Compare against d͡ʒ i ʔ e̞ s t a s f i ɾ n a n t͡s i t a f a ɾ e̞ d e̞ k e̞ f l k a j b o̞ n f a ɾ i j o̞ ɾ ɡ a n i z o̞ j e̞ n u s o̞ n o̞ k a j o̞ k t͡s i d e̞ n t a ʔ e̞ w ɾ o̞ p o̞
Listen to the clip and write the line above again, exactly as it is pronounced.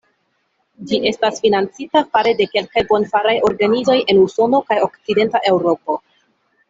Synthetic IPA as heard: d͡ʒ i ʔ e̞ s t a s f i n a n t͡s i t a f a ɾ e̞ d e̞ k e̞ l k a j b o̞ n f a ɾ a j o̞ ɾ ɡ a n i z o̞ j e̞ n u s o̞ n o̞ k a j o̞ k t͡s i d e̞ n t a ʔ e̞ w ɾ o̞ p o̞

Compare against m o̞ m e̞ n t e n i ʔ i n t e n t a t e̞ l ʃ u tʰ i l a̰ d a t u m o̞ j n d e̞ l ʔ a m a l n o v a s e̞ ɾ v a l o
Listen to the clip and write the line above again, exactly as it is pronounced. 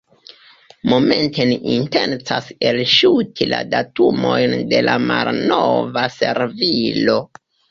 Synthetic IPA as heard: m o̞ m e̞ n t e n i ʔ i n t e n t͡s a s e̞ l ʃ u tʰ i l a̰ d a t u m o̞ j n d e̞ l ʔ a m a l n o v a s e̞ ɾ v i l o

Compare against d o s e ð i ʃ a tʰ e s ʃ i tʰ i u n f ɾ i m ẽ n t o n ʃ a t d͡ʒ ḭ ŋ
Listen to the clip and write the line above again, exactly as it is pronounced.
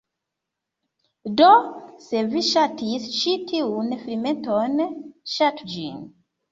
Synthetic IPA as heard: d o s e v i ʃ a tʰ i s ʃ i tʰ i u n f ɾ i m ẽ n t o n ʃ a t d͡ʒ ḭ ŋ

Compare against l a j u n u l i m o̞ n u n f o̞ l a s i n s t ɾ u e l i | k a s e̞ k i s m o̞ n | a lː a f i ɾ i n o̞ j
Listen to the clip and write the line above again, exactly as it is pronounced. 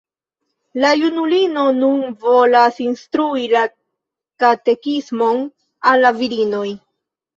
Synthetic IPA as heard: l a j u n u l i n o̞ n u n v o̞ l a s i n s t ɾ u i l a | k a t e̞ k i s m o̞ n | a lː a v i ɾ i n o̞ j

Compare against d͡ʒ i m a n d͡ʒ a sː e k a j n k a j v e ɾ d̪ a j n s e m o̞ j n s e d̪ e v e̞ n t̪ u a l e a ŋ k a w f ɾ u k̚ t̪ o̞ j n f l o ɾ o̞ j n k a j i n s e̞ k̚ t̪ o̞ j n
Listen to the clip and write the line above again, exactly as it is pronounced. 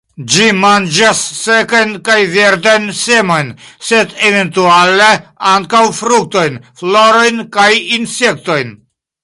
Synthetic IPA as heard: d͡ʒ i m a n d͡ʒ a sː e k a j n k a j v e ɾ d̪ a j n s e m o̞ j n s e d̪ e v e̞ n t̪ u a l e a ŋ k a w f ɾ u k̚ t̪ o̞ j n f l o ɾ o̞ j n k a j i n s e̞ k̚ t̪ o̞ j n

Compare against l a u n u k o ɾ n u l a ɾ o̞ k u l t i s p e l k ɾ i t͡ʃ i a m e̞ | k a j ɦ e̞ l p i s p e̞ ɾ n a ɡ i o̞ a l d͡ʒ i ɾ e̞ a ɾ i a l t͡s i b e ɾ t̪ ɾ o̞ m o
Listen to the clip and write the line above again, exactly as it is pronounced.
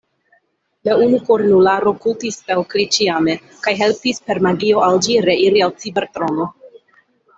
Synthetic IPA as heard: l a u n u k o ɾ n u l a ɾ o̞ k u l t i s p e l k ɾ i t͡ʃ i a m e̞ | k a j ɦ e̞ l p i s p e̞ ɾ m a ɡ i o̞ a l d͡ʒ i ɾ e̞ i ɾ i a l t͡s i b e ɾ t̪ ɾ o̞ n o

